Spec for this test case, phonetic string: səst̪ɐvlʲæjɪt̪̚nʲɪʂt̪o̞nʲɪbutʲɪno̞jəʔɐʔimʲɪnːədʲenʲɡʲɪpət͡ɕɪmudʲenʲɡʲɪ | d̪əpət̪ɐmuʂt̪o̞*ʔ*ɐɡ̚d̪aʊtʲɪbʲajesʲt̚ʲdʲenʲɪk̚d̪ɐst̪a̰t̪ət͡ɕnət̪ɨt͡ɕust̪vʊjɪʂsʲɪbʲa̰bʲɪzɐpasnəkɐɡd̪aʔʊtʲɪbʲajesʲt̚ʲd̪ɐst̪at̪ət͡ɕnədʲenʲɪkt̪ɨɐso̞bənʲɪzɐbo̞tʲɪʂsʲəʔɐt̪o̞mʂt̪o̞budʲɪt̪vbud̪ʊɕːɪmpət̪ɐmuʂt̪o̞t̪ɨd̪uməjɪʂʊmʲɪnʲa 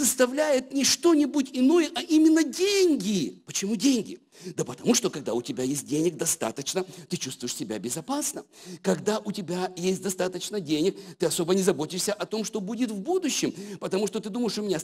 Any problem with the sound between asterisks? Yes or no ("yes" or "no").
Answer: yes